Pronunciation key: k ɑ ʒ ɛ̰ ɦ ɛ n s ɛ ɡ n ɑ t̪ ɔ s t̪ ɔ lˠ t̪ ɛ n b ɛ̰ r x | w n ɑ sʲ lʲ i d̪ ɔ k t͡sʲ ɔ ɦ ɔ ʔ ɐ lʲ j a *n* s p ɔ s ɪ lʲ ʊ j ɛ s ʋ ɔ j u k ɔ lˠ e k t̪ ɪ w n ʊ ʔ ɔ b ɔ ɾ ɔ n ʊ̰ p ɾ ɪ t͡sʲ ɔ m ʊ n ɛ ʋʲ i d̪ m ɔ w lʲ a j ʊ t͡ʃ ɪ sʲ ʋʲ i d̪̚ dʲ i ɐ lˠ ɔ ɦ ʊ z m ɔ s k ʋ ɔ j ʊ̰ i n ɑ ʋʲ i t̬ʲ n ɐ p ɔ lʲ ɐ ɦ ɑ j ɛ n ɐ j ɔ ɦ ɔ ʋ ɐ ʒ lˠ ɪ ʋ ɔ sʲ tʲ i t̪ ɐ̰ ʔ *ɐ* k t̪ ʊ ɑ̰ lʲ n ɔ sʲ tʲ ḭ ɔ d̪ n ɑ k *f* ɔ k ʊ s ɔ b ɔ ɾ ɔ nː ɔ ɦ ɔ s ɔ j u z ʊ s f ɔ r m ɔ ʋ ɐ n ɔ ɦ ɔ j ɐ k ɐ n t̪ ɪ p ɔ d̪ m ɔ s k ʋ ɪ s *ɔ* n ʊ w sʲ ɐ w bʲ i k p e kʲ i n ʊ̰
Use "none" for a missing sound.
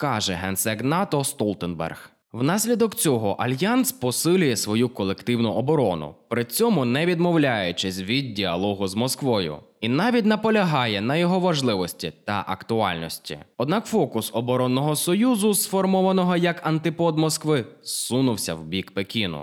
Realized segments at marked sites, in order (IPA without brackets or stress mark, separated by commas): n, ɐ, f, u